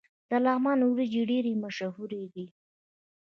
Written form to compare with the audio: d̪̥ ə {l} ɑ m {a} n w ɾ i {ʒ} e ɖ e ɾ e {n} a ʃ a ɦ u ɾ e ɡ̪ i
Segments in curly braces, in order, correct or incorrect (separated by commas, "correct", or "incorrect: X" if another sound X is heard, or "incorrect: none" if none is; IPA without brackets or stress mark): correct, incorrect: ɑ, incorrect: d͡ʒ, incorrect: m